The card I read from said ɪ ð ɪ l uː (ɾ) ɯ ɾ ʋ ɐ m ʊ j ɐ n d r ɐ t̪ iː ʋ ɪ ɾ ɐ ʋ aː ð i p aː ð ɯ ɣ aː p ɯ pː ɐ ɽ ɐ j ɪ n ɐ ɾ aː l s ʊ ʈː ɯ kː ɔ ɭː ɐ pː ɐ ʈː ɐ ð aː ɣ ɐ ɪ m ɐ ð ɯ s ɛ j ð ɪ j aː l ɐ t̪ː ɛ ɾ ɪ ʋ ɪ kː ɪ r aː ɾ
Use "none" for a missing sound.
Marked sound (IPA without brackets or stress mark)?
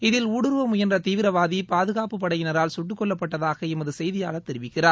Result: ɽ